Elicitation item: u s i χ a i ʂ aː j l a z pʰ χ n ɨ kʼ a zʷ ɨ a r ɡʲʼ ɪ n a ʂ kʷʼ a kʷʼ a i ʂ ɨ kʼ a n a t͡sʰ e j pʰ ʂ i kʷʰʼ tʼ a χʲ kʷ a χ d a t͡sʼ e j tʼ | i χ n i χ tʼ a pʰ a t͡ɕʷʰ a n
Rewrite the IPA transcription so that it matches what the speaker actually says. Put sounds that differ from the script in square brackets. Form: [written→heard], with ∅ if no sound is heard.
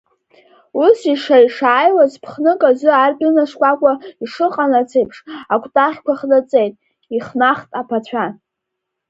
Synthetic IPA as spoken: u s i [χ→ʂ] a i ʂ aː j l a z pʰ χ n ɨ kʼ a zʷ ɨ a r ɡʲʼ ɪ n a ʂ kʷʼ a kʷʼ a i ʂ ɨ [kʼ→qʼ] a n a t͡sʰ e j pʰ ʂ [i→a] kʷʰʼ tʼ a χʲ kʷ a χ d a t͡sʼ e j tʼ | i χ n [i→a] χ tʼ a pʰ a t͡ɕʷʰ a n

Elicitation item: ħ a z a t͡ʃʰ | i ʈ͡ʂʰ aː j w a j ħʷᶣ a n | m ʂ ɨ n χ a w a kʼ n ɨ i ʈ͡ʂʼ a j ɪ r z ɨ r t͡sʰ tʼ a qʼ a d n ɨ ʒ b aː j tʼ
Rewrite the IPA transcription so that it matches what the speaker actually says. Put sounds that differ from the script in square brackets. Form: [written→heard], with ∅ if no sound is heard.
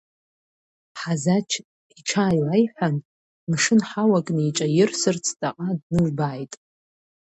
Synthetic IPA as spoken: ħ a z a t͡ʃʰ | i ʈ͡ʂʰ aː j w a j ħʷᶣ a n | m ʂ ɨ n [χ→ħ] a w a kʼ n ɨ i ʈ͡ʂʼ a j ɪ r [z→s] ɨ r t͡sʰ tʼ a qʼ a d n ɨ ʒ b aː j tʼ

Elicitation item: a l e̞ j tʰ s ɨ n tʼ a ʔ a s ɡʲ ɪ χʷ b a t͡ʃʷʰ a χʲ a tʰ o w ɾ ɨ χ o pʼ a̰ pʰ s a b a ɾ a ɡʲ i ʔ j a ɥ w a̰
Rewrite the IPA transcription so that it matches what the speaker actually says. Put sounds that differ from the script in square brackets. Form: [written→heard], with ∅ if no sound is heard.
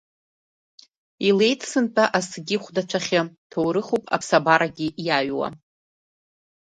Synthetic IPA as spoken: [a→i] l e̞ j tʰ s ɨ n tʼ a ʔ a s ɡʲ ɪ χʷ [b→d] a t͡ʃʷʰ a χʲ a tʰ o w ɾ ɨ χ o pʼ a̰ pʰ s a b a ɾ a ɡʲ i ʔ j a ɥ w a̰

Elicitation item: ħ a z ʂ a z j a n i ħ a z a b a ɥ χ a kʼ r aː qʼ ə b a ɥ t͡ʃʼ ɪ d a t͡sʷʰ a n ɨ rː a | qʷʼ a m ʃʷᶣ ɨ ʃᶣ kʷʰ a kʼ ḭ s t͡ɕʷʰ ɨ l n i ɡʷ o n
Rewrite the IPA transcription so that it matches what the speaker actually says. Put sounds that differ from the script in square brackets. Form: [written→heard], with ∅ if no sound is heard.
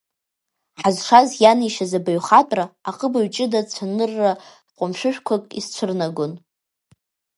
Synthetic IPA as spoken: ħ a z ʂ a z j a n i [ħ→ʃ] a z a b a ɥ χ a [kʼ→tʼ] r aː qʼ ə b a ɥ t͡ʃʼ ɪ d a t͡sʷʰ a n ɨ rː a | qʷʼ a m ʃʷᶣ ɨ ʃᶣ kʷʰ a kʼ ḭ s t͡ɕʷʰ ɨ [l→r] n [i→a] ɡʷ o n

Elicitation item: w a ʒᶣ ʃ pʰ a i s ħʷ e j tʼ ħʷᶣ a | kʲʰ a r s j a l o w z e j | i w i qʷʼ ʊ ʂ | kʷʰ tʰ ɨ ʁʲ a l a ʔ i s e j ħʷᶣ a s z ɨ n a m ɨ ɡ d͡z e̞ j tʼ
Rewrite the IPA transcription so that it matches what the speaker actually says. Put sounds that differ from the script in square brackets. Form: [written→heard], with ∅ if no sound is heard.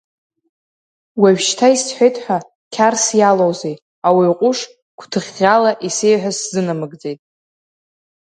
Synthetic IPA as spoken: w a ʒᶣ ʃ [pʰ→tʰ] a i s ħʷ e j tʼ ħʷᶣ a | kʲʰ a r s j a l o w z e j | [i→a] w i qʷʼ ʊ ʂ | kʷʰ tʰ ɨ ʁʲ a l a ʔ i s e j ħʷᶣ a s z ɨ n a m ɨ ɡ d͡z e̞ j tʼ

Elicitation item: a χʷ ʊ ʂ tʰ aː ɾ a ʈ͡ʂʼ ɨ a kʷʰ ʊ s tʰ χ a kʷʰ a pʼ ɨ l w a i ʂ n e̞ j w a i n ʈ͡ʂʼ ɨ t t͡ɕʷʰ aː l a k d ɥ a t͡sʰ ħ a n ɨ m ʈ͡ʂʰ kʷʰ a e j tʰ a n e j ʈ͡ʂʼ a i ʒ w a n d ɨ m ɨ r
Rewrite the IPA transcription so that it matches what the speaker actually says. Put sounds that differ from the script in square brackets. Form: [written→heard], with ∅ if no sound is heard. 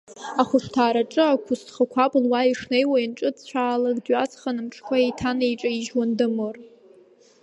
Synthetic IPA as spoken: a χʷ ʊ ʂ tʰ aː ɾ a ʈ͡ʂʼ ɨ a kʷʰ ʊ s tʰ χ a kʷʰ a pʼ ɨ l w a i ʂ n e̞ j w a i n ʈ͡ʂʼ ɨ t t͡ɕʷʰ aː l a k d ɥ a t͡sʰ [ħ→χ] a n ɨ m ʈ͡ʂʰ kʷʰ a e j tʰ a n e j ʈ͡ʂʼ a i ʒ w a n d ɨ m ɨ r

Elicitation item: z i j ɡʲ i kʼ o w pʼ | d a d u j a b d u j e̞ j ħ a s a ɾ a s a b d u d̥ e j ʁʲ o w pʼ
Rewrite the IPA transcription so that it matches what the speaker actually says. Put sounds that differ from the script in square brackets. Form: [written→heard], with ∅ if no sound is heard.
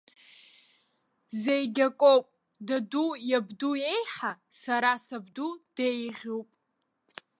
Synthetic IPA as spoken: z [i→e] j ɡʲ [i→a] kʼ o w pʼ | d a d u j a b d u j e̞ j ħ a s a ɾ a s a b d u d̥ e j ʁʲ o w pʼ

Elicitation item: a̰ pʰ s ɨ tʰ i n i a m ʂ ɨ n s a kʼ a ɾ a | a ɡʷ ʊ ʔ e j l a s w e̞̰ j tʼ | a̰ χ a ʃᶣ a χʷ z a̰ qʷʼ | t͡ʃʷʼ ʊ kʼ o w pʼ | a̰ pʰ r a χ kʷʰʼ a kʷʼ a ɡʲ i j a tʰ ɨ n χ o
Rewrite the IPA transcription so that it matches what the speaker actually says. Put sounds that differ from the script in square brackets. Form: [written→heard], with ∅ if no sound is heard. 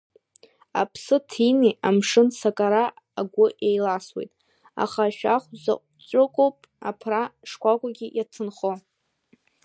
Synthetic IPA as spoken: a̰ pʰ s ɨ tʰ i n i a m ʂ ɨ n s a kʼ a ɾ a | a ɡʷ ʊ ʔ e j l a s w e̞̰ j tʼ | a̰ χ a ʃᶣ a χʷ z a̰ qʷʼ | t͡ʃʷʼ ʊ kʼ o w pʼ | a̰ pʰ r a [χ→ʂ] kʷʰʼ a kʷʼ a ɡʲ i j a tʰ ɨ n χ o

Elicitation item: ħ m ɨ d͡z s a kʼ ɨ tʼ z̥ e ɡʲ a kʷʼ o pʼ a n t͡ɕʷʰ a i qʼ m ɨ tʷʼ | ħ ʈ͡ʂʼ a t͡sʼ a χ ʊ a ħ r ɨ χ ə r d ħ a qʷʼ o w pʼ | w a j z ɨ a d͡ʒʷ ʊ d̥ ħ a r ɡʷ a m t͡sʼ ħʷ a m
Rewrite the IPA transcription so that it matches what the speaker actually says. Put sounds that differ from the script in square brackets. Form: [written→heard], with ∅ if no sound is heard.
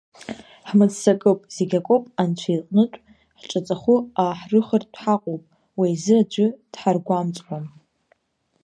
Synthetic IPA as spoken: ħ m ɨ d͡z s a kʼ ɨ [tʼ→pʼ] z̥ e ɡʲ a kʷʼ o pʼ a n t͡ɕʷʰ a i qʼ [m→n] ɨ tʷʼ | ħ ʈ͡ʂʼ a t͡sʼ a χ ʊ a ħ r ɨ χ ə r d ħ a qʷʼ o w pʼ | w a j z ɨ a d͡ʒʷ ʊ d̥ ħ a r ɡʷ a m t͡sʼ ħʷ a m

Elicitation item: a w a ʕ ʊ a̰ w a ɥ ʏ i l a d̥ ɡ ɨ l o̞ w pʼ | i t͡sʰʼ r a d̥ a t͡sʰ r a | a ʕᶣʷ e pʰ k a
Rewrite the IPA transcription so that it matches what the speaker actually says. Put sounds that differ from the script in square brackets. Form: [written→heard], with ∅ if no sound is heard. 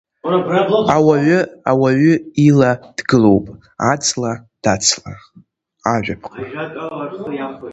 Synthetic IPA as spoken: a w a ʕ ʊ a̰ w a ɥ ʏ i l a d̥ ɡ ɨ l o̞ w pʼ | [i→a] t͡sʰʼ [r→l] a d̥ a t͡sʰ [r→l] a | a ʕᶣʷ [e→a] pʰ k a

